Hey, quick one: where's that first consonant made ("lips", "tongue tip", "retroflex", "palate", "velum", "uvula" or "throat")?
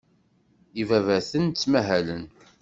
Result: lips